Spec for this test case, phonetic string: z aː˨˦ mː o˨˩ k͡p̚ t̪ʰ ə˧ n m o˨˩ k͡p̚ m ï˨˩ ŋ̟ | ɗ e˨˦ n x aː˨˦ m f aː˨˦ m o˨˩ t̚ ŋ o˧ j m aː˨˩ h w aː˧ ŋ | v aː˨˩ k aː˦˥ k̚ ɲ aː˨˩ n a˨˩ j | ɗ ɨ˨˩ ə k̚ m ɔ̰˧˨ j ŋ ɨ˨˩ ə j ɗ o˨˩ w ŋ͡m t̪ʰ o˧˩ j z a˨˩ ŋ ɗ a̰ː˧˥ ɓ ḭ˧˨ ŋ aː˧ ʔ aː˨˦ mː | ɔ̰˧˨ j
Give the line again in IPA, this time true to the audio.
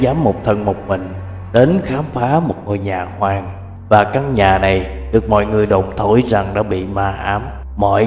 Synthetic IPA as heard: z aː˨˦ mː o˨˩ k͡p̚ t̪ʰ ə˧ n m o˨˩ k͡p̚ m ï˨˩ ŋ̟ | ɗ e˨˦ n x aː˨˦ m f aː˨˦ m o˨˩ t̚ ŋ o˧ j ɲ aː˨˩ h w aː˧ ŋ | v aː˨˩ k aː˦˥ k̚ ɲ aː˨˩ n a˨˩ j | ɗ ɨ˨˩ ə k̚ m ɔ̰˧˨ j ŋ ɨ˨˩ ə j ɗ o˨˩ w ŋ͡m t̪ʰ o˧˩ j z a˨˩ ŋ ɗ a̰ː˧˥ ɓ ḭ˧˨ m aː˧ ʔ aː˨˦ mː | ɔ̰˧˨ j